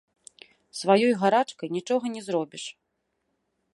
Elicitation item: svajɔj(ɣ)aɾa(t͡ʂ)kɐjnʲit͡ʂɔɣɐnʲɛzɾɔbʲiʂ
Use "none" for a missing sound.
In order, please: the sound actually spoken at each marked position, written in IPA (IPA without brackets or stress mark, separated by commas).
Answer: ɣ, t͡ʂ